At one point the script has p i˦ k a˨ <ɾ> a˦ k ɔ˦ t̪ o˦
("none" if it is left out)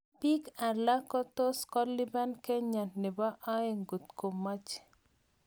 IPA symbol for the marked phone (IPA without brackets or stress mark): l